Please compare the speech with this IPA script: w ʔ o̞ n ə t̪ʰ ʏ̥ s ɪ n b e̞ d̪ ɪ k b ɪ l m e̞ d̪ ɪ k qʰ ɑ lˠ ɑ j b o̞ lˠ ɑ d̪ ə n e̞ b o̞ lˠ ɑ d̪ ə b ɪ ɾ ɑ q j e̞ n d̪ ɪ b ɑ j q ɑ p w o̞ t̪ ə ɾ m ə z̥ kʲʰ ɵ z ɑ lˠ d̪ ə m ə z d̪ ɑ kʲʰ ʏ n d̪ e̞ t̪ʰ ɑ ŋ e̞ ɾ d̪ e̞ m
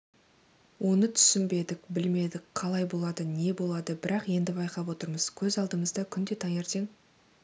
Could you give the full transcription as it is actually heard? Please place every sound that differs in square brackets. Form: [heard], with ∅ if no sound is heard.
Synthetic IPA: w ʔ o̞ n ə t̪ʰ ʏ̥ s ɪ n b e̞ d̪ ɪ k b ɪ l m e̞ d̪ ɪ k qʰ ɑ lˠ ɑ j b o̞ lˠ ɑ d̪ ə n e̞ b o̞ lˠ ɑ d̪ ə b ɪ ɾ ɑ q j e̞ n d̪ ɪ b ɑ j q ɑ p w o̞ t̪ ə ɾ m ə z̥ kʲʰ ɵ z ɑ lˠ d̪ ə m ə z d̪ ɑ kʲʰ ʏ n d̪ e̞ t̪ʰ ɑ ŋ e̞ ɾ [t̪] e̞ [ŋ]